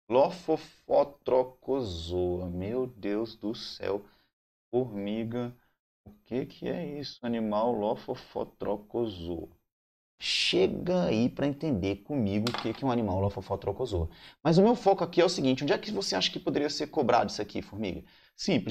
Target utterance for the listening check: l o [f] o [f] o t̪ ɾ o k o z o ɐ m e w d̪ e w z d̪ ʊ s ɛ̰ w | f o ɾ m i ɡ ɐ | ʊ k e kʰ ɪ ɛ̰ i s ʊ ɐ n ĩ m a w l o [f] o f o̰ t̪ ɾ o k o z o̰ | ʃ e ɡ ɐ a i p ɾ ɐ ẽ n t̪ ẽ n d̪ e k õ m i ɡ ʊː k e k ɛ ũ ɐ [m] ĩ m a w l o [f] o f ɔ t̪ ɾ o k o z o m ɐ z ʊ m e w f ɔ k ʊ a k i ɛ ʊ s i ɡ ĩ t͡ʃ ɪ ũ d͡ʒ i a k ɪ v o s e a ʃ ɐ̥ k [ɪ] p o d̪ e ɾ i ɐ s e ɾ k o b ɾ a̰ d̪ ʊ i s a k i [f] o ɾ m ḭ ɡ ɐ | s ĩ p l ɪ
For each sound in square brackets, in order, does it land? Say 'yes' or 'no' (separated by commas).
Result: yes, yes, yes, no, yes, yes, yes